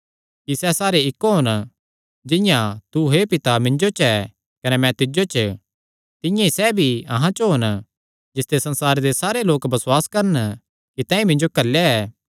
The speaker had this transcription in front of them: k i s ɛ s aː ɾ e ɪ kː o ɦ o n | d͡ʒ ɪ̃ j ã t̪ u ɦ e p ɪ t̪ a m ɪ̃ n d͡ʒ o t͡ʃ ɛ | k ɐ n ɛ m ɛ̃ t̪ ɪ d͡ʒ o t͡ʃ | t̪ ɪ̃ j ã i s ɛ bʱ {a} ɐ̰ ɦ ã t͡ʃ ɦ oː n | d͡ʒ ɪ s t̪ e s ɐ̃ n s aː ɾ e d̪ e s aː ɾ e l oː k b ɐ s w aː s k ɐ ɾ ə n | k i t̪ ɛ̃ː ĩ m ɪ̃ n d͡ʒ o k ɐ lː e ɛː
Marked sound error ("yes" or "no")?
yes